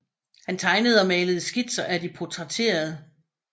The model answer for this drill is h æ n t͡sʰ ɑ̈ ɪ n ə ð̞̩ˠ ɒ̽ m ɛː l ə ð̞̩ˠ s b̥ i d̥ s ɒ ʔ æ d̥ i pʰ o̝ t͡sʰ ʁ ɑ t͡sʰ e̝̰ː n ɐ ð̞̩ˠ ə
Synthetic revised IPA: h æ n t͡sʰ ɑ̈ ɪ n ə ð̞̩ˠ ɒ̽ m ɛː l ə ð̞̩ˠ s ɡ̥ i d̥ s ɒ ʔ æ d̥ i pʰ o̝ t͡sʰ ʁ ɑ t͡sʰ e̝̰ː ɐ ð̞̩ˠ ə